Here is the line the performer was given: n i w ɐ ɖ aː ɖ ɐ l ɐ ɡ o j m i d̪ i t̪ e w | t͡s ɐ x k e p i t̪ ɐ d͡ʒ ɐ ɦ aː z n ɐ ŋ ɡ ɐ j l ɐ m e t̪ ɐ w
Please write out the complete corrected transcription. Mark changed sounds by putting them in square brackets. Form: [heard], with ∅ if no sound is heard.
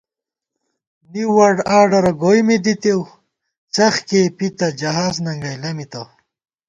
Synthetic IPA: n i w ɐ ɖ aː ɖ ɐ [ɾ] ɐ ɡ o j m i d̪ i t̪ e w | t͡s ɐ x k e p i t̪ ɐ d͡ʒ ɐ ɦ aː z n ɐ ŋ ɡ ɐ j l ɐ m [i] t̪ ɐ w